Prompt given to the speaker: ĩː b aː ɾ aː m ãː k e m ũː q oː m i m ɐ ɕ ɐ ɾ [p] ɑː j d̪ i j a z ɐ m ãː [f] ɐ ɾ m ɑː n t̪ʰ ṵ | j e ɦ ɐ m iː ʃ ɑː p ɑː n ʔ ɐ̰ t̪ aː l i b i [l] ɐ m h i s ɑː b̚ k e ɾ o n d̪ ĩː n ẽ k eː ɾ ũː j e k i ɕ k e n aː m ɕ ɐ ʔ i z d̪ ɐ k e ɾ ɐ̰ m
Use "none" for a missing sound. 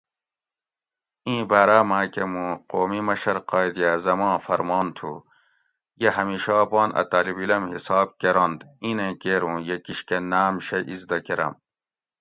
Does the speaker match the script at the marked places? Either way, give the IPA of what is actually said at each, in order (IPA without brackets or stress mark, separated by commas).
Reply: q, f, l